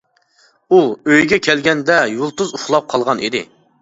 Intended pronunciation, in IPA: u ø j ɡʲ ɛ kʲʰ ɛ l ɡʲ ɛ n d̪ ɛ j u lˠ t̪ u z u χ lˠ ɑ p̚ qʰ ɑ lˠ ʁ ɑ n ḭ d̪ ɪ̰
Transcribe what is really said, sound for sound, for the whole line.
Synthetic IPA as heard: u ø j ɡʲ ɛ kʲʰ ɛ l ɡʲ ɛ n d̪ ɛ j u lˠ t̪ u z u χ lˠ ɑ p̚ qʰ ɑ lˠ ʁ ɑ n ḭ d̪ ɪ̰